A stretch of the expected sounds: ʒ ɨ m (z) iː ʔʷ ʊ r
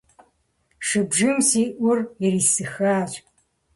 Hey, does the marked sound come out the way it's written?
no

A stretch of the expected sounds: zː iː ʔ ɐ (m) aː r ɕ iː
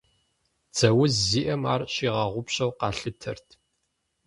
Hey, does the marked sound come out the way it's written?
yes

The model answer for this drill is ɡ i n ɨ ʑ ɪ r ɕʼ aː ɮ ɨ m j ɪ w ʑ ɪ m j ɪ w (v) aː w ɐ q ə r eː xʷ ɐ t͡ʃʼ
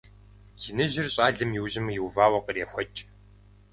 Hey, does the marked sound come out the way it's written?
yes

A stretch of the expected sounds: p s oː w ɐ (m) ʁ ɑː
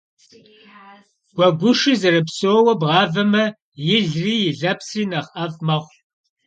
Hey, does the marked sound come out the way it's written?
no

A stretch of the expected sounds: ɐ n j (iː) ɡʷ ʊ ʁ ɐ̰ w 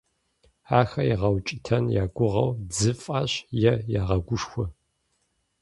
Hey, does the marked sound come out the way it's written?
no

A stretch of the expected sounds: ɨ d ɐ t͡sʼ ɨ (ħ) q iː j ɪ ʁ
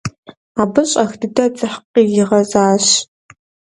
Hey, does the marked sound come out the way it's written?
yes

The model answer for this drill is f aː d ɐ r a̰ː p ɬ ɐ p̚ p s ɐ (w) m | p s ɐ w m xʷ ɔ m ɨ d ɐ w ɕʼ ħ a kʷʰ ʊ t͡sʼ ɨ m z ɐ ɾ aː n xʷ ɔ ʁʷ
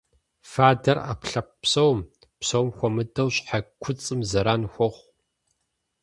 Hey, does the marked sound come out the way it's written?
yes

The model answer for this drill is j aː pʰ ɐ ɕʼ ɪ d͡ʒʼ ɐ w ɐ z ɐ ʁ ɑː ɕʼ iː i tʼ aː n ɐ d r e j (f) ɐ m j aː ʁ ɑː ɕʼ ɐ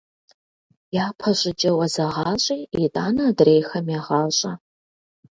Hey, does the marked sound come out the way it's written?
no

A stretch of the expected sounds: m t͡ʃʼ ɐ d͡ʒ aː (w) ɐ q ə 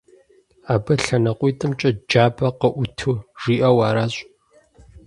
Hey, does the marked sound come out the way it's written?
no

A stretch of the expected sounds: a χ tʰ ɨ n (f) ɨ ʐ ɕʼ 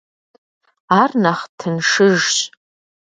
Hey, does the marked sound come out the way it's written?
no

